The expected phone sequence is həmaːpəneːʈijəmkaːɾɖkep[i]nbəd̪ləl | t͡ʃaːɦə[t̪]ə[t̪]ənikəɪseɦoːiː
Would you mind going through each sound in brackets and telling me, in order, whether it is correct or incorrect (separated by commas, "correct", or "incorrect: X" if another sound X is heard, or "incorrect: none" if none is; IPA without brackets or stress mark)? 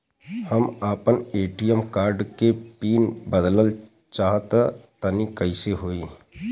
incorrect: iː, correct, correct